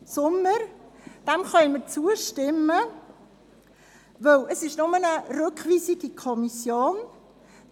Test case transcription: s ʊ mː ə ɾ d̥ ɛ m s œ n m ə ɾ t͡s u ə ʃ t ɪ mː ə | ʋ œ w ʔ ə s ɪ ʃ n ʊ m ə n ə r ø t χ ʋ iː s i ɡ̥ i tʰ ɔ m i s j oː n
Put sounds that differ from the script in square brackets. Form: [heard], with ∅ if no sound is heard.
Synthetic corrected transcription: s ʊ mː ə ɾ d̥ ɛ m [χ] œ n m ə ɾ t͡s u ə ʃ t ɪ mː ə | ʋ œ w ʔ ə s ɪ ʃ n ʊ m ə n ə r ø [k] χ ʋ iː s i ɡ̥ i [kʰ] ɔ m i s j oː n

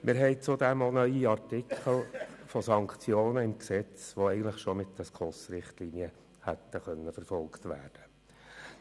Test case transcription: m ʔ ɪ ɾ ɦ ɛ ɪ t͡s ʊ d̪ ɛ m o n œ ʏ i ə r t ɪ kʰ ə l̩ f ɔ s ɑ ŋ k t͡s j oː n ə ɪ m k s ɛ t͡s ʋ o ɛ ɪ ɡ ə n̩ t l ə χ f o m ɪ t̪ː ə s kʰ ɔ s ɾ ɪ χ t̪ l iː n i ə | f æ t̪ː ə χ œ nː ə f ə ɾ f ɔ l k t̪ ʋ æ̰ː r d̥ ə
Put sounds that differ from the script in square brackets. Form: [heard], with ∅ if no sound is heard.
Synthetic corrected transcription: m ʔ ɪ ɾ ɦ ɛ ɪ t͡s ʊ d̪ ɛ m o n œ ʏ i [ɑ] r t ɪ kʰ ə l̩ f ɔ s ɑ ŋ k t͡s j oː n ə ɪ m k s ɛ t͡s ʋ o ɛ ɪ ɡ ə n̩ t l ə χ [ʃ] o m ɪ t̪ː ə s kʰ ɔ s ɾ ɪ χ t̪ l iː n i ə | [h] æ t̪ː ə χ œ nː ə f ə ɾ f ɔ l k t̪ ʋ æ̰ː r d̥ ə

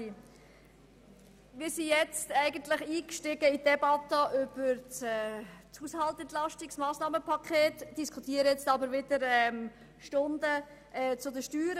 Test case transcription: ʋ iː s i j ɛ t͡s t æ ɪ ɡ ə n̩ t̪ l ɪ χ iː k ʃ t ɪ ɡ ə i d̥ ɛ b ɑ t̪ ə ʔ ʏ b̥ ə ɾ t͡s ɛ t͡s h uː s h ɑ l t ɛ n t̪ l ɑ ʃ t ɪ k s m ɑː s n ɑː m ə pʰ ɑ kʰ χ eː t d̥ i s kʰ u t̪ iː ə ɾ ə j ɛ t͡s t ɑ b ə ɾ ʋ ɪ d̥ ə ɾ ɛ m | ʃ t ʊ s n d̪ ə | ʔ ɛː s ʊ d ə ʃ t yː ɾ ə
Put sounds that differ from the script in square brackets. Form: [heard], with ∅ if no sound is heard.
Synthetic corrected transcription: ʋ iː s i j ɛ t͡s t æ ɪ ɡ ə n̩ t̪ l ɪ χ iː k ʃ t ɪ ɡ ə i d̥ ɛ b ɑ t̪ ə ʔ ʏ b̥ ə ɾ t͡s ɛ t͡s h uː s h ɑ l t ɛ n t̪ l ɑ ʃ t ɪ k s m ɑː s n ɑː m ə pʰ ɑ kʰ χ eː t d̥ i s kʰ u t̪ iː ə ɾ ə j ɛ t͡s t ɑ b ə ɾ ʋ ɪ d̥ ə ɾ ɛ m | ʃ t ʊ [∅] n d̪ ə | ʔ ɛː [t͡s] ʊ d ə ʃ t yː ɾ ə

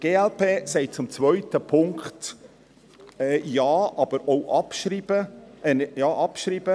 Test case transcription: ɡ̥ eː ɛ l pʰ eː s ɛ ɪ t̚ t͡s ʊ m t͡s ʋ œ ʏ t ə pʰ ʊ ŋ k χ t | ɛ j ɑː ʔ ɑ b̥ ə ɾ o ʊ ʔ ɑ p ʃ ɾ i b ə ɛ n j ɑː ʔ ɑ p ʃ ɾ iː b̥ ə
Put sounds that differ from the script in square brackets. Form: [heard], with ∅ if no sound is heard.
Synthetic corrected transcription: ɡ̥ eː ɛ l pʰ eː s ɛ ɪ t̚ t͡s ʊ m t͡s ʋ œ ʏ t ə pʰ ʊ ŋ k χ t | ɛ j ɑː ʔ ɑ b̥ ə ɾ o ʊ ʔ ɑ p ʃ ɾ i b ə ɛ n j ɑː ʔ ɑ p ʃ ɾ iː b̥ ə

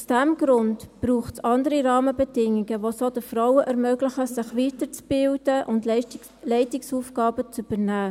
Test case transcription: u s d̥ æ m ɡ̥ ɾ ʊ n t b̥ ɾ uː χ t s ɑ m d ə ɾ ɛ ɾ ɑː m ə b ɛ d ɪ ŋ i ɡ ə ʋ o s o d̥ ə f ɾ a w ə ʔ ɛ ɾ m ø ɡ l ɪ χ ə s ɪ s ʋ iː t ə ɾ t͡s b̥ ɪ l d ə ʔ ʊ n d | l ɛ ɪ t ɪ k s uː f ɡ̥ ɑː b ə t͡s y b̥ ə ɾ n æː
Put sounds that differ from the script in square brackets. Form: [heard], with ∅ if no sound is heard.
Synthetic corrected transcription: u s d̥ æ m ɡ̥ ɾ ʊ n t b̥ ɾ uː χ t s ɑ [n] d ə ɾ [i] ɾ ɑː m ə b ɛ d ɪ ŋ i ɡ ə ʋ o s o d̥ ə f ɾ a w ə ʔ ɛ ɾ m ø ɡ l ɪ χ ə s ɪ [χ] ʋ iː t ə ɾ t͡s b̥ ɪ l d ə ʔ ʊ n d | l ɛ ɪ t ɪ k s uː f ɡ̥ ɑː b ə t͡s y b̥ ə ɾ n æː

